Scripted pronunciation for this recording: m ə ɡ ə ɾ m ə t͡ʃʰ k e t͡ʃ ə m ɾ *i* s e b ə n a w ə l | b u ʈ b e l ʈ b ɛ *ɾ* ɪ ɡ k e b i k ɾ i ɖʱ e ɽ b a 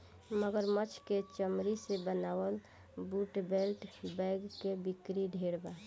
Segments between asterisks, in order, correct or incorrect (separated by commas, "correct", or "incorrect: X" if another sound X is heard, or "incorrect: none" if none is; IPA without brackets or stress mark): correct, incorrect: none